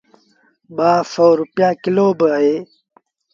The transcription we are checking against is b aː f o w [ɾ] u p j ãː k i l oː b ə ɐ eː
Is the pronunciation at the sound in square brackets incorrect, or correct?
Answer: correct